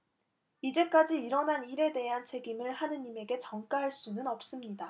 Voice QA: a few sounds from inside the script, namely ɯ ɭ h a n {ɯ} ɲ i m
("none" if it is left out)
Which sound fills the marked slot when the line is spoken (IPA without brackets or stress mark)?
ɯ